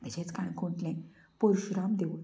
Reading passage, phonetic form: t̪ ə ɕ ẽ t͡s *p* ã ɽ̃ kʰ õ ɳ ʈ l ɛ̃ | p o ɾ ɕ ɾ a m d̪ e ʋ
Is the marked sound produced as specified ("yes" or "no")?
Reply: no